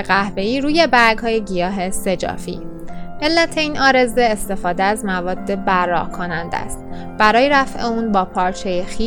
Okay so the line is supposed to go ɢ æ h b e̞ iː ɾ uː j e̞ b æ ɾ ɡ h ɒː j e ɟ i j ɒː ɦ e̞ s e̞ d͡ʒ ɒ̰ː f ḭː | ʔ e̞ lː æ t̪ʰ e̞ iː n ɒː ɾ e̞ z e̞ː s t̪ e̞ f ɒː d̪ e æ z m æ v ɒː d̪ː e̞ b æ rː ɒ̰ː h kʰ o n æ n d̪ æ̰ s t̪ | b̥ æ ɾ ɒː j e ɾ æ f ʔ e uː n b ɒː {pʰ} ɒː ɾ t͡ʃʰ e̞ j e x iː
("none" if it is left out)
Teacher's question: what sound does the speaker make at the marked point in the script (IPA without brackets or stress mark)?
pʰ